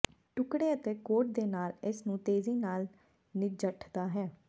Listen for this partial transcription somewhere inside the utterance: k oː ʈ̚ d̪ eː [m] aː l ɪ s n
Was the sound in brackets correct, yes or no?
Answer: no